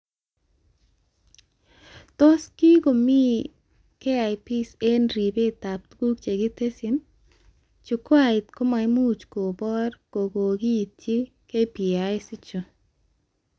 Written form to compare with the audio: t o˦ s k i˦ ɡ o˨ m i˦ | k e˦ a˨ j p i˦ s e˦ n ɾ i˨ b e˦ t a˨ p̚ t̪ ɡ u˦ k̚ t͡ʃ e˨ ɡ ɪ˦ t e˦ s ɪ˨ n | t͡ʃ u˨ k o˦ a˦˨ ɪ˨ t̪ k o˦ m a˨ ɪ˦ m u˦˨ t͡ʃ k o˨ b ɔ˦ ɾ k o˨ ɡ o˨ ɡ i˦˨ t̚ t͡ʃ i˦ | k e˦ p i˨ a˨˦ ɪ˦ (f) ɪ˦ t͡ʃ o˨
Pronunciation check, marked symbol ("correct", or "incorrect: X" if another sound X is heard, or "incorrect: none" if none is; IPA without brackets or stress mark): incorrect: s